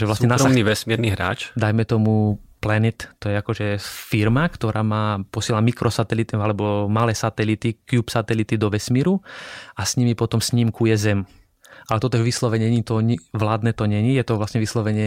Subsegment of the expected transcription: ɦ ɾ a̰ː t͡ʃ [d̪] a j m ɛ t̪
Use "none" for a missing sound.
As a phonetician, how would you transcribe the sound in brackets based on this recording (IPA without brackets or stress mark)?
d̪